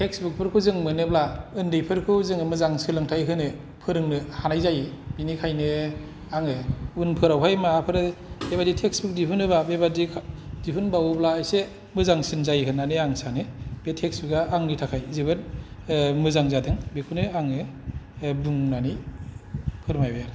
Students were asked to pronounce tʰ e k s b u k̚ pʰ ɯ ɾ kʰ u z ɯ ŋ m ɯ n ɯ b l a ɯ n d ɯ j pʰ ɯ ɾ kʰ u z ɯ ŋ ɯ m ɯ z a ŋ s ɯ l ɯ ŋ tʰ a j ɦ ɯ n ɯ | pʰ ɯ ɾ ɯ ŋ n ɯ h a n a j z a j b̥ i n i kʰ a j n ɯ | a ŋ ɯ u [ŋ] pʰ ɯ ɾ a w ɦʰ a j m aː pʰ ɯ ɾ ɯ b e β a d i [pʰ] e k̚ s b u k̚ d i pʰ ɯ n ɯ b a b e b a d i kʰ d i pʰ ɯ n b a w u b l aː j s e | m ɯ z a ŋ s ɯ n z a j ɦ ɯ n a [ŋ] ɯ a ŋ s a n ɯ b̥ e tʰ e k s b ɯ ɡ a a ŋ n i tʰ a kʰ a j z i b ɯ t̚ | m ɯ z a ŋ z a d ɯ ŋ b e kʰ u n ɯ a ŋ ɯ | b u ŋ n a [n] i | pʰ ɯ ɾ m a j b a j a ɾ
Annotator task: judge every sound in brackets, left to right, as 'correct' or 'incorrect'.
incorrect, incorrect, incorrect, correct

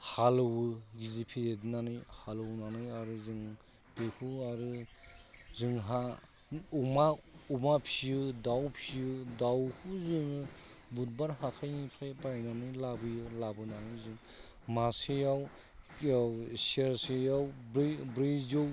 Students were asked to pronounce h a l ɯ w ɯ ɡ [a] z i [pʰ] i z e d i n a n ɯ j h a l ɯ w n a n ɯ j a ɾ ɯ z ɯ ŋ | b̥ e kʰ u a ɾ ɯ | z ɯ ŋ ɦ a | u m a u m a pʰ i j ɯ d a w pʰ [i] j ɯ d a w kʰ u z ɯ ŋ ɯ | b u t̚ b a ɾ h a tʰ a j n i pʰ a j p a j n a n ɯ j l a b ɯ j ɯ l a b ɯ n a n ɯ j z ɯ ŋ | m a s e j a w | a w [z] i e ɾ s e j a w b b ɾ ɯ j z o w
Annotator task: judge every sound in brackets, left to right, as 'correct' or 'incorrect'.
incorrect, correct, correct, incorrect

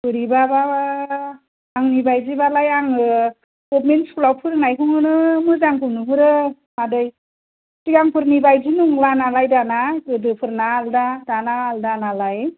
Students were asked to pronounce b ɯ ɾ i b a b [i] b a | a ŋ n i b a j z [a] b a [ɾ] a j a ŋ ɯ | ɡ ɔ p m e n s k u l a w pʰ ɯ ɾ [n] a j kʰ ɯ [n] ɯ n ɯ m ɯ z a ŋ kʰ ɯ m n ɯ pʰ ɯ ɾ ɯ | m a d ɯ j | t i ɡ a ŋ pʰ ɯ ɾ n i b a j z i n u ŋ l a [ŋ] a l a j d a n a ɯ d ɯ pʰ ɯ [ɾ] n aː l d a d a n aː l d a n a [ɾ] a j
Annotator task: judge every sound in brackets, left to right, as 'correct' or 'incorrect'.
incorrect, incorrect, incorrect, correct, incorrect, incorrect, correct, incorrect

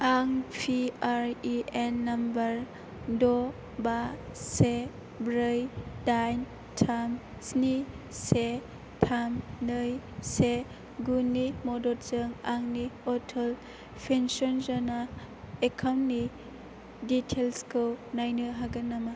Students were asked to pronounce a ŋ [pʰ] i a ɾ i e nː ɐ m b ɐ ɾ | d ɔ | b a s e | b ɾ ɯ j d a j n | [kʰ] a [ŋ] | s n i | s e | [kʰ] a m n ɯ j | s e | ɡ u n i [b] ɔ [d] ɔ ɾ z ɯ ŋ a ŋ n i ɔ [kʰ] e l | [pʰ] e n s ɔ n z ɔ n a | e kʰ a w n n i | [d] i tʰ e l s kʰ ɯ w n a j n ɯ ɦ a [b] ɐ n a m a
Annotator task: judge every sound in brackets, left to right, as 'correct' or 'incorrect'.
correct, incorrect, incorrect, incorrect, incorrect, correct, incorrect, correct, correct, incorrect

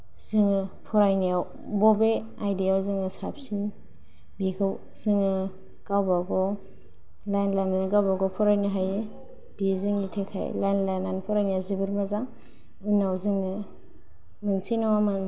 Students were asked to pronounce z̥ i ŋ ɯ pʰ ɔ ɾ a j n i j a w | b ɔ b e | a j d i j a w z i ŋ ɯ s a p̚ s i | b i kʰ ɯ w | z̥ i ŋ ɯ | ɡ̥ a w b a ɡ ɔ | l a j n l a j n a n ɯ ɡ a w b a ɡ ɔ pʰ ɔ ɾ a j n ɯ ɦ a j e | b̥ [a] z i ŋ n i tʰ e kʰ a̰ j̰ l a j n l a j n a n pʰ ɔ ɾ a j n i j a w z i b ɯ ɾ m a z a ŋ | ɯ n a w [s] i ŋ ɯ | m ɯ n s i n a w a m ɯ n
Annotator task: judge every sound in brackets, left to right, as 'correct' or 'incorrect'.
incorrect, incorrect

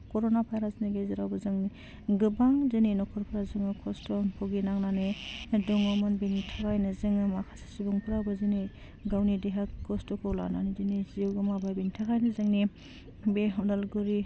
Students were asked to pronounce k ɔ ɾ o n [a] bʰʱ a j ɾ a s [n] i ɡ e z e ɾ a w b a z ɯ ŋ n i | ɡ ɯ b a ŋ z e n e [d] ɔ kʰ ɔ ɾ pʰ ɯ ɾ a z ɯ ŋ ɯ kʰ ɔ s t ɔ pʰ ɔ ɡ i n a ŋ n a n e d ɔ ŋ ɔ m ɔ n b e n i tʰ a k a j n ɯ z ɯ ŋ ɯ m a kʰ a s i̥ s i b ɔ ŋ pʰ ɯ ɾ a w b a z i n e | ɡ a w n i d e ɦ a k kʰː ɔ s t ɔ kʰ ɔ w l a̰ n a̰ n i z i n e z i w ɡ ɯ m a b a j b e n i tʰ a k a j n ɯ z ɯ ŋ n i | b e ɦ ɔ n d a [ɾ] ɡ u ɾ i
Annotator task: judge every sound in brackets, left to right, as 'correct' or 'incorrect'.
correct, correct, incorrect, incorrect

